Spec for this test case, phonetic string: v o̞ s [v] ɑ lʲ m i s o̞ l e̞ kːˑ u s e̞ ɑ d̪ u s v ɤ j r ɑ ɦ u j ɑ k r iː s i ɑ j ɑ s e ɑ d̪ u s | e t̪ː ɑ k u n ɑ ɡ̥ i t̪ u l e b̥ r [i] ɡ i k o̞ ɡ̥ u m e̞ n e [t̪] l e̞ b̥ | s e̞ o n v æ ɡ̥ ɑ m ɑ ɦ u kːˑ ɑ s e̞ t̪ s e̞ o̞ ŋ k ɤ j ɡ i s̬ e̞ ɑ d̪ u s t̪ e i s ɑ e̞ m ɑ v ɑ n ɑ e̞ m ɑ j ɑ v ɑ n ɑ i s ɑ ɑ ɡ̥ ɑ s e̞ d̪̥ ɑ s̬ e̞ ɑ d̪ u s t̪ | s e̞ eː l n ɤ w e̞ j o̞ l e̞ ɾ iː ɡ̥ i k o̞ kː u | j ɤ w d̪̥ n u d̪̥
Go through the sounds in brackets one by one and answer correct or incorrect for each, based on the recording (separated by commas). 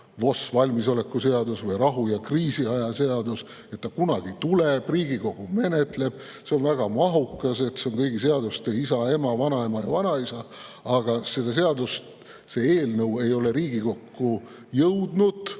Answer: correct, incorrect, correct